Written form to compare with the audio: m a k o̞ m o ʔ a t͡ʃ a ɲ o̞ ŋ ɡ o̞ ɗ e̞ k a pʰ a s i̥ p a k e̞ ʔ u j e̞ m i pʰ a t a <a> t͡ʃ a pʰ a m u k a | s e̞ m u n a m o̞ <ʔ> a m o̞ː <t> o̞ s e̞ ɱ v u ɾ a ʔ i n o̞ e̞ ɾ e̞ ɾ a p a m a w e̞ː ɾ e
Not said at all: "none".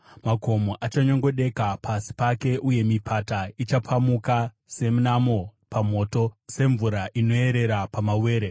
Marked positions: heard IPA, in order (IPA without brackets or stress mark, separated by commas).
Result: i, p, t